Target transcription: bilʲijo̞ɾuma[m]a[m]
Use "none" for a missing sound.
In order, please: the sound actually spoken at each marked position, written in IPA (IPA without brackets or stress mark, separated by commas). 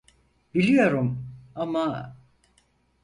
m, none